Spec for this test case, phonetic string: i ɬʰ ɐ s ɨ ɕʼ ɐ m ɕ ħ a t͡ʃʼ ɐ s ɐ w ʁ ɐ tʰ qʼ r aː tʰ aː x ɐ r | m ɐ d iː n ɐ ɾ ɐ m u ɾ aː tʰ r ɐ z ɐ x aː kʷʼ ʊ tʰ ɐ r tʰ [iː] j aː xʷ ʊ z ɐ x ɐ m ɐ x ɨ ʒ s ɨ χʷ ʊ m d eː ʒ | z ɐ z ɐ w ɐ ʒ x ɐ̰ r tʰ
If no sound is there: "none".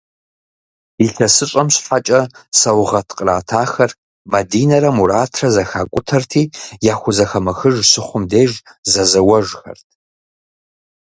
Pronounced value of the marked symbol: iː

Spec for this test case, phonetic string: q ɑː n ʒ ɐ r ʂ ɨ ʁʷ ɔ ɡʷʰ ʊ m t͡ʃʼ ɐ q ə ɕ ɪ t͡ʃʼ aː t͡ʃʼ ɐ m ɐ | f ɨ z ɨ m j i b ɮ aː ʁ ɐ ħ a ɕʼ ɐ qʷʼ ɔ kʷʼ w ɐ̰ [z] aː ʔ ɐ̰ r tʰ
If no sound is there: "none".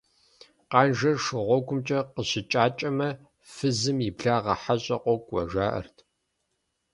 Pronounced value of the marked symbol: ʒ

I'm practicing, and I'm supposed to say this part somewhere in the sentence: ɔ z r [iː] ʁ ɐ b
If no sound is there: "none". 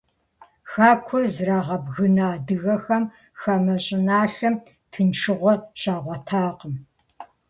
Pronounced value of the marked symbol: aː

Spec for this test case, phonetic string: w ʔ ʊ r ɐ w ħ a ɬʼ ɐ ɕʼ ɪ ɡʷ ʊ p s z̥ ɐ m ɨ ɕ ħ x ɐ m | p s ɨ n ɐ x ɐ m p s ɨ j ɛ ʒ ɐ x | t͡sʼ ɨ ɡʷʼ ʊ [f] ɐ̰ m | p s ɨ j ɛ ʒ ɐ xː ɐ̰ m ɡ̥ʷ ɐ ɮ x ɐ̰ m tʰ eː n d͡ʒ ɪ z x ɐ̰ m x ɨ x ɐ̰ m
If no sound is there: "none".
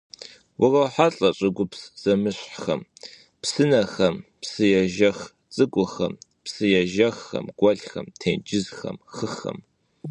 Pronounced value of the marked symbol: x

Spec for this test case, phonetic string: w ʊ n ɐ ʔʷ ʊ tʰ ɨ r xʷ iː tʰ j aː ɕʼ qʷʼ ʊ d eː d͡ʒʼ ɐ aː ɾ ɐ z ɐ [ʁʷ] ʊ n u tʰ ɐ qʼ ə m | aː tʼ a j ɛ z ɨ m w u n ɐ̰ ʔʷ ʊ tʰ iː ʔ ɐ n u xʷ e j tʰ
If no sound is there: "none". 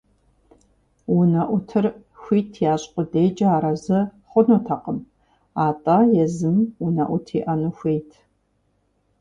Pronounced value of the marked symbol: χʷ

